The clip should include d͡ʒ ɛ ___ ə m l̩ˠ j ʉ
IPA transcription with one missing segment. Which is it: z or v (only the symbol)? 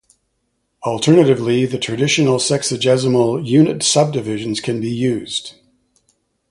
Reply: z